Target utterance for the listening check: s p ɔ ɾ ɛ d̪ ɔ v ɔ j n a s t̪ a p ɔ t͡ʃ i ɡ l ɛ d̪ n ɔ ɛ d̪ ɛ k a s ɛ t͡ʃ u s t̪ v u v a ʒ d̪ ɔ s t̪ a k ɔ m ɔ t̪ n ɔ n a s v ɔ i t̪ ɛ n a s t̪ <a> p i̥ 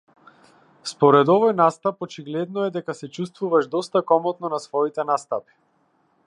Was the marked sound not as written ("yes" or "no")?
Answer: no